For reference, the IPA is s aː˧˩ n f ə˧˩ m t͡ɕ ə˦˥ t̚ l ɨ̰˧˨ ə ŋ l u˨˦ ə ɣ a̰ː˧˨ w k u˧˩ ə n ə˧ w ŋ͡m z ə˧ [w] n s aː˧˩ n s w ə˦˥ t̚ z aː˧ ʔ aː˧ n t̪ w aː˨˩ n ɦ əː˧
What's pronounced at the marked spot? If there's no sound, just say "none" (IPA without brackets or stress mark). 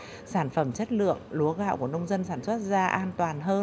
none